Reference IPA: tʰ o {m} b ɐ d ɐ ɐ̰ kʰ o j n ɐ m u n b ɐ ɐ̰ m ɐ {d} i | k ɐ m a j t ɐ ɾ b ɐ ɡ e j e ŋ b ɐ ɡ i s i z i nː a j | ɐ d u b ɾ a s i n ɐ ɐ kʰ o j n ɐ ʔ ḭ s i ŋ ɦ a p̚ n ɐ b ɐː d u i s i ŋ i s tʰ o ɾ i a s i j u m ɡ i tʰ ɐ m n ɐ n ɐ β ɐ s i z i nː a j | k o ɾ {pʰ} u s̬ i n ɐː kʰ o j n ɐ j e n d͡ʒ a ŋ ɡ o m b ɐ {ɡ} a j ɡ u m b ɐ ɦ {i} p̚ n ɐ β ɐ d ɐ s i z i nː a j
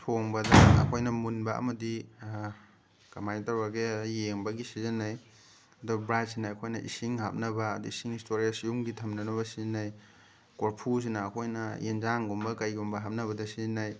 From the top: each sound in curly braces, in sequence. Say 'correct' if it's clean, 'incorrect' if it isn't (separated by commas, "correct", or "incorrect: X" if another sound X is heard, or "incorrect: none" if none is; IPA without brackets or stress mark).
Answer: incorrect: ŋ, correct, correct, incorrect: k, incorrect: a